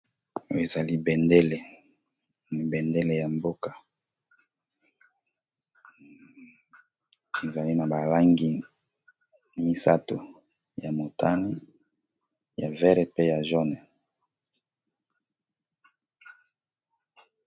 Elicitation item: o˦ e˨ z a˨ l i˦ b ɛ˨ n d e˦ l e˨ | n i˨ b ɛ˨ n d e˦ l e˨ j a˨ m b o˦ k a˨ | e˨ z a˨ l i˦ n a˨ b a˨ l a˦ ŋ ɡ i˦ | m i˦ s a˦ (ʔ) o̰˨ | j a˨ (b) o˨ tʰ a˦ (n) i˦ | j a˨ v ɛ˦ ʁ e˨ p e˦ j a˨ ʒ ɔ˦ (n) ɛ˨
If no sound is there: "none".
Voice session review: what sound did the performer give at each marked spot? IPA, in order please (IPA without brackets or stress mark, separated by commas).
t, m, n, n